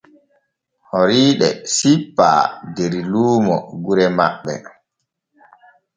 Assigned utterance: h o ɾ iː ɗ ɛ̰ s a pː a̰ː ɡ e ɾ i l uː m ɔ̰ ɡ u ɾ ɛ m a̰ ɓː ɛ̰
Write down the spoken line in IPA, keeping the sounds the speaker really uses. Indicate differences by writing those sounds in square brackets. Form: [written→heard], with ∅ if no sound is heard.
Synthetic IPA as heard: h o ɾ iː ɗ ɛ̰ s [a→i] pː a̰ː [ɡ→d] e ɾ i l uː m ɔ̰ ɡ u ɾ ɛ m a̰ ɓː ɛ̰